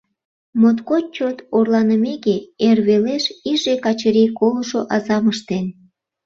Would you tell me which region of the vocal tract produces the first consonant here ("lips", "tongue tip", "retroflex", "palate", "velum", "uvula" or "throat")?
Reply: lips